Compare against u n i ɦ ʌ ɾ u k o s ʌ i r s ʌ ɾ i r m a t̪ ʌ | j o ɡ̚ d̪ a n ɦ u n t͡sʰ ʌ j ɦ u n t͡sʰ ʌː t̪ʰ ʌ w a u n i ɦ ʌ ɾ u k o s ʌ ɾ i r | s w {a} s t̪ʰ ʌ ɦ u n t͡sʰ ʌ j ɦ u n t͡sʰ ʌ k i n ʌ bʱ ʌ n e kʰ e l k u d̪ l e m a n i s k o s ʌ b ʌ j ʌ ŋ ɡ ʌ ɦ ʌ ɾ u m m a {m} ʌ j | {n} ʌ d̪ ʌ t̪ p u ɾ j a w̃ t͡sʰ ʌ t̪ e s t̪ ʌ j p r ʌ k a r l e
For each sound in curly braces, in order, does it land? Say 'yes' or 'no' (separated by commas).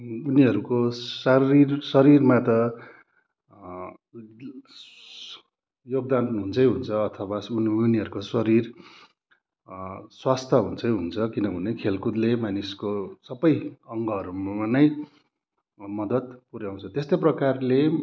yes, no, no